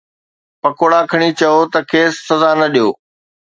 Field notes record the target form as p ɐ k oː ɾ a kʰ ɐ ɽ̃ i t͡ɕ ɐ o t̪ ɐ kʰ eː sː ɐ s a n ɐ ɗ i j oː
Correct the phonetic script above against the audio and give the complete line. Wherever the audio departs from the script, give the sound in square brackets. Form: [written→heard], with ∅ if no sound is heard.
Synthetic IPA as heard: p ɐ k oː [ɾ→ɽ] a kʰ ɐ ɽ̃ i t͡ɕ ɐ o t̪ ɐ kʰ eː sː ɐ [s→z] a n ɐ ɗ i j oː